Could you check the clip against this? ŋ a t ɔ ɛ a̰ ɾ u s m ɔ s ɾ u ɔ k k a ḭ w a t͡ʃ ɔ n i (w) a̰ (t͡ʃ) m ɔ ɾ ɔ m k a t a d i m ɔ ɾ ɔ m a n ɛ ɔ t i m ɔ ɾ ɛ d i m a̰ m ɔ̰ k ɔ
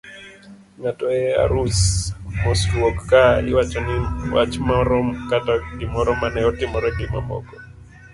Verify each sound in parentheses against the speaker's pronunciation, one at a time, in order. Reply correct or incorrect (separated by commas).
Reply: correct, correct